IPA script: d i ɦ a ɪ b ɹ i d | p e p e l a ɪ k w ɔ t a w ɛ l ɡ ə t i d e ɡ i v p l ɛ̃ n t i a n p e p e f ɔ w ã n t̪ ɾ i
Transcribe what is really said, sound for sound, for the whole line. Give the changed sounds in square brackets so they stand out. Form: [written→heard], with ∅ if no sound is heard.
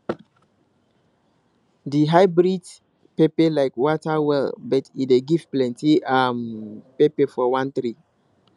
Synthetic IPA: d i ɦ a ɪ b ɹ i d | p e p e l a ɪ k w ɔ t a w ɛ l [ɡ→b] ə t i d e ɡ i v p l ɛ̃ n t i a [n→m] p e p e f ɔ w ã n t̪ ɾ i